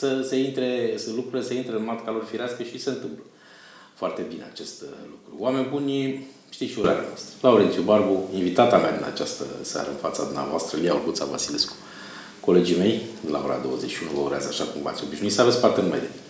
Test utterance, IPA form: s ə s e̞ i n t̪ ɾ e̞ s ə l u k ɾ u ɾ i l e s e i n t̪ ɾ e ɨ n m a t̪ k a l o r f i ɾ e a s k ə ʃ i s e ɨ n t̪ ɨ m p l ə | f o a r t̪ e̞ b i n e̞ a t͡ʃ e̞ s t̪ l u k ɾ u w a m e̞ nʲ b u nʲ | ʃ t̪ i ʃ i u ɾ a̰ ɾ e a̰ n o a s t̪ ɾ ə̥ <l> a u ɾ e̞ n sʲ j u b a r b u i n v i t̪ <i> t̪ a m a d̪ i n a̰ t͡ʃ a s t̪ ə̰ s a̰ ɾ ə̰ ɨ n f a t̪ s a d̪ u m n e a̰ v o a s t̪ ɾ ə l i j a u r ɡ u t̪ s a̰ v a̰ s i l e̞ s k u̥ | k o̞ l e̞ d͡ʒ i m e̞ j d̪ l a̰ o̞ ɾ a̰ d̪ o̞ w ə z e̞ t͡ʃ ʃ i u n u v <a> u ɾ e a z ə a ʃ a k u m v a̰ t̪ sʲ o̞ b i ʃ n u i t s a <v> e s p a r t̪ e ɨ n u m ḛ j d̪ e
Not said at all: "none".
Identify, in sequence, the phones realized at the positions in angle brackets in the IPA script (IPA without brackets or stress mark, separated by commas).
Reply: l, a, ə, v